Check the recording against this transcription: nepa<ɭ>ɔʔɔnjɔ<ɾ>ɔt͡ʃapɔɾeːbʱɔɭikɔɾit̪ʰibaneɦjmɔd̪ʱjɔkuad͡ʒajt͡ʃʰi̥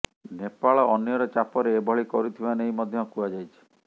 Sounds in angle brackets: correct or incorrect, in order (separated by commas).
correct, correct